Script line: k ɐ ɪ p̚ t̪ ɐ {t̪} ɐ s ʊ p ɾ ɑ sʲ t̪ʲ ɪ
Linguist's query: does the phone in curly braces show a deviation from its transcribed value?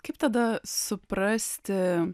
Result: yes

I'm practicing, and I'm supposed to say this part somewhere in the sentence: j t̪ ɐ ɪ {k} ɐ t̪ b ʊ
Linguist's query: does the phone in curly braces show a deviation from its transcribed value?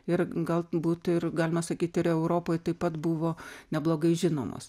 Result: yes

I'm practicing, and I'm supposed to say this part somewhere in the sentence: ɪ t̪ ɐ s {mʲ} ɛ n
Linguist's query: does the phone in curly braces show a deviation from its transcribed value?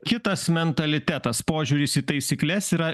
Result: no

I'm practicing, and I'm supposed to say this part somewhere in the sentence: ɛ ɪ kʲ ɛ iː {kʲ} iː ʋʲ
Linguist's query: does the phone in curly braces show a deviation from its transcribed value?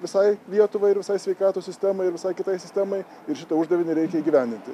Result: yes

